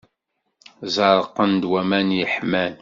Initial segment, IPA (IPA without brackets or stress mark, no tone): z